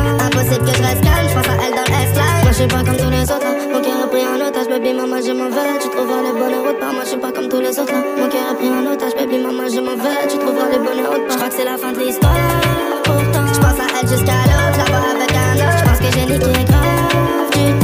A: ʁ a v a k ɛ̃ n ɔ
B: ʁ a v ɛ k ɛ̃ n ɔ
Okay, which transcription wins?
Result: B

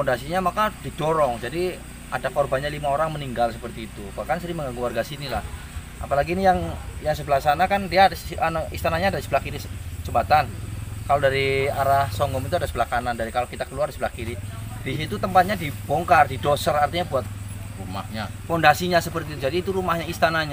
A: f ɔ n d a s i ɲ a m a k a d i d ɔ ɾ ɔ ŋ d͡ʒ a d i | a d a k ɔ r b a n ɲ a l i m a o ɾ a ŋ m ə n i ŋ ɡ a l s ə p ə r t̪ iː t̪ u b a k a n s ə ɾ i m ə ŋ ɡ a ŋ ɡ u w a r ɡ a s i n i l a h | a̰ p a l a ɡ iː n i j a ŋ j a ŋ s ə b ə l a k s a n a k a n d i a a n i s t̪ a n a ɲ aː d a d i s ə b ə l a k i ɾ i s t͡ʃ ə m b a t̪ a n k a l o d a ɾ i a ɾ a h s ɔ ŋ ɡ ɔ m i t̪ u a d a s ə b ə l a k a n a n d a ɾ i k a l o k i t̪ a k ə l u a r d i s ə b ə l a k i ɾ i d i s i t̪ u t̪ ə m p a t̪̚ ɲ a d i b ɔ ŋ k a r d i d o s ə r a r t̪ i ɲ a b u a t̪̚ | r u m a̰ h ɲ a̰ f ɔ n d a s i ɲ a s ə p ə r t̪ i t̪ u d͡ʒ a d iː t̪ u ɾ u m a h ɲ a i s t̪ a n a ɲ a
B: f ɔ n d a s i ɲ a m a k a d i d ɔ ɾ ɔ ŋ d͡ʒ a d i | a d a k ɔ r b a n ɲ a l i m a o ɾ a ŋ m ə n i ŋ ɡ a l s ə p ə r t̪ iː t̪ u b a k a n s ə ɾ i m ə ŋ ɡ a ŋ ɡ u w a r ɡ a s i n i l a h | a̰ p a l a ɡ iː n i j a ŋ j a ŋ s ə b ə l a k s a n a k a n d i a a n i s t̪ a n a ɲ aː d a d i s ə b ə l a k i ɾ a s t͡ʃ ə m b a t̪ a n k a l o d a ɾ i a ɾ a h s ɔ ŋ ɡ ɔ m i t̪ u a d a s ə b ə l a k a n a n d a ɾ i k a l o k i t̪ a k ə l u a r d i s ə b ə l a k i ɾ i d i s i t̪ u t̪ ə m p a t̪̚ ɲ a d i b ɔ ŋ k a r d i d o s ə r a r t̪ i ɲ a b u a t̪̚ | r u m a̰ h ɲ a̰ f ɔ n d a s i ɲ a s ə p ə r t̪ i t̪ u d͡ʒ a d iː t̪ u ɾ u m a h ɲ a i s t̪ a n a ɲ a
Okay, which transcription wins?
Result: A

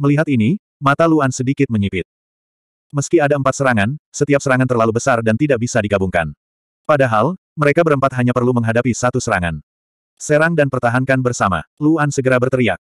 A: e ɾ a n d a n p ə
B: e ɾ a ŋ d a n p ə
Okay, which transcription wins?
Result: B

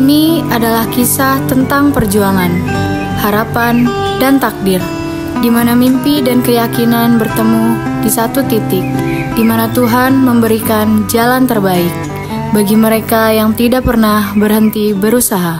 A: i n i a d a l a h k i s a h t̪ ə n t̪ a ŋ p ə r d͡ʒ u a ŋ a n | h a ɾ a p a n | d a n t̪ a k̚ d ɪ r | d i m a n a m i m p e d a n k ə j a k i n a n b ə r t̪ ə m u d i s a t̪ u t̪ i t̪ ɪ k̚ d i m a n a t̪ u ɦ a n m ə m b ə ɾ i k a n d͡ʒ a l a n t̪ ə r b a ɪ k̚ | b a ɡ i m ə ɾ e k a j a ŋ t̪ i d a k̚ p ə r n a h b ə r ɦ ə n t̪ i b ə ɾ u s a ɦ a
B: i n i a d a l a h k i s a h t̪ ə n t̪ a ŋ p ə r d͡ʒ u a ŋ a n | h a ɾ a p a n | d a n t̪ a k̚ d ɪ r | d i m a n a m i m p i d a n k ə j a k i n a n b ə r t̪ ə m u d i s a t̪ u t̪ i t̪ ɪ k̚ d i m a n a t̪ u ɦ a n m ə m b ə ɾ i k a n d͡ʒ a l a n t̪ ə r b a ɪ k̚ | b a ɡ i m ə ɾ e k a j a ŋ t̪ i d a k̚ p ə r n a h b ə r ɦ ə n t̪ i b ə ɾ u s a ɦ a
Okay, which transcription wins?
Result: B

